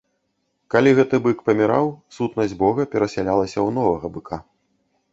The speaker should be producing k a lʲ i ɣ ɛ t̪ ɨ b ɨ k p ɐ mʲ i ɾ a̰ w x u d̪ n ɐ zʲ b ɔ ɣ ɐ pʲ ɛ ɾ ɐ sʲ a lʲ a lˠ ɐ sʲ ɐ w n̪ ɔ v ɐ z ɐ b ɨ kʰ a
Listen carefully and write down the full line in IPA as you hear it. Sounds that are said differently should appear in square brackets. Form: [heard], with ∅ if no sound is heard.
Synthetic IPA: k a lʲ i ɣ ɛ t̪ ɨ b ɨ k p ɐ mʲ i ɾ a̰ w [s] u [t̪] n ɐ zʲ b ɔ ɣ ɐ pʲ ɛ ɾ ɐ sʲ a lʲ a lˠ ɐ sʲ ɐ w n̪ ɔ v ɐ [ɣ] ɐ b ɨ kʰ a